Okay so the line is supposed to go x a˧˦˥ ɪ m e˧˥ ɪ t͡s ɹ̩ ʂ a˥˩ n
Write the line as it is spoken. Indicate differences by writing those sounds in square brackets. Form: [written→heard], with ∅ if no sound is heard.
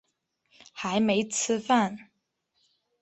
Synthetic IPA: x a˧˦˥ ɪ m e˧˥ ɪ [t͡s→t͡sʰ] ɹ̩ [ʂ→f] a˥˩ n